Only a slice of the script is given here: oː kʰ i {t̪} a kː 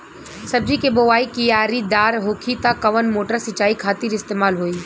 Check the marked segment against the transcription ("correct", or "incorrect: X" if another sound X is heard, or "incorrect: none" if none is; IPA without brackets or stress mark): correct